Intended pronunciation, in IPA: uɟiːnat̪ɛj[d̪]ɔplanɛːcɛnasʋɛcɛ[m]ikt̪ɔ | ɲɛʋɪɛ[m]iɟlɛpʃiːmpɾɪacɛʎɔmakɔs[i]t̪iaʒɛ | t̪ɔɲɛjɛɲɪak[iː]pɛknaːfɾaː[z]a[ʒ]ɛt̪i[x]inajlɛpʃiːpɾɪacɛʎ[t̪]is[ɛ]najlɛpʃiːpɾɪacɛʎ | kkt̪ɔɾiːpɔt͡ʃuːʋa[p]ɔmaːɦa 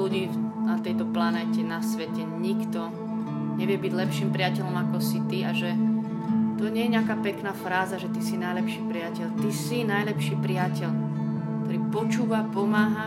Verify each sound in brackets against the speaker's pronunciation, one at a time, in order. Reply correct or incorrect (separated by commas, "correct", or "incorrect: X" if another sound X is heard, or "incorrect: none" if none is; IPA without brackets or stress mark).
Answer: incorrect: t̪, incorrect: ɲ, incorrect: b, correct, incorrect: aː, correct, correct, incorrect: s, correct, incorrect: i, correct